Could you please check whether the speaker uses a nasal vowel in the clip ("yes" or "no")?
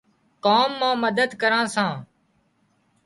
yes